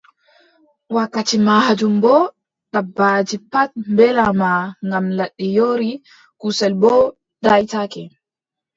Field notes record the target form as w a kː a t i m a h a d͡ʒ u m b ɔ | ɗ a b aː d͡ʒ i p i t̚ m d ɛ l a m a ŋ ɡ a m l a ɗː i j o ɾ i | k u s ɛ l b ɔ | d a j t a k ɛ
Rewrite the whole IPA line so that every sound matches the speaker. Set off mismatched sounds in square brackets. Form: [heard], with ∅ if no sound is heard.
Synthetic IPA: w a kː a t i m a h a d͡ʒ u m b ɔ | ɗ a b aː d͡ʒ i p [a] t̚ m [b] ɛ l a m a ŋ ɡ a m l a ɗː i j o ɾ i | k u s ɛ l b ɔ | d a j t a k ɛ